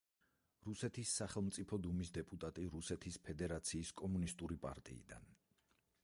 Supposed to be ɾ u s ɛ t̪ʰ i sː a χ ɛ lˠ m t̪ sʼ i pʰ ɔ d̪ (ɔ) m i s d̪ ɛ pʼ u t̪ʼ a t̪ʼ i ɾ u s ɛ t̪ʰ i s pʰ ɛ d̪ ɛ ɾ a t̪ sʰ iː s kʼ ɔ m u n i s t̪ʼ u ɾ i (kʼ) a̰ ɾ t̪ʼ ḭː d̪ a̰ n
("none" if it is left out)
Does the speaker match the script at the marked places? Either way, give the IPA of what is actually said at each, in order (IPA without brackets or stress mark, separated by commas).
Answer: u, pʼ